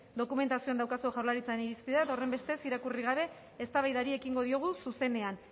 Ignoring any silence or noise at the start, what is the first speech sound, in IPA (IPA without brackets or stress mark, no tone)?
d̪